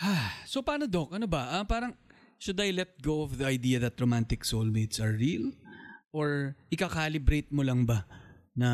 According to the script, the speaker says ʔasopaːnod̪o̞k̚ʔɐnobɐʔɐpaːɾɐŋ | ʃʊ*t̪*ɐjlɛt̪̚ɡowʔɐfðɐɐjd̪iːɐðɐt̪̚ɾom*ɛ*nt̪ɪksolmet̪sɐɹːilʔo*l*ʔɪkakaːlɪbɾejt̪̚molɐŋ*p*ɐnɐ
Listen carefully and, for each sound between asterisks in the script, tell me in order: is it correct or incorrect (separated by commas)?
incorrect, incorrect, incorrect, incorrect